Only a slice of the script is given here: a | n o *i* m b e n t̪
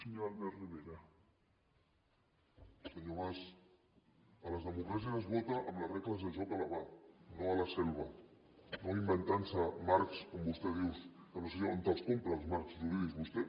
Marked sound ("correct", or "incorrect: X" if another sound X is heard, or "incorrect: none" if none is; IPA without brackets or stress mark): correct